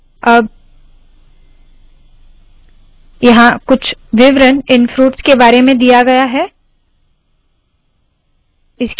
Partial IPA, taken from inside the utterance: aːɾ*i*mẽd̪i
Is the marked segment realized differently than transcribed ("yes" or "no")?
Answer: yes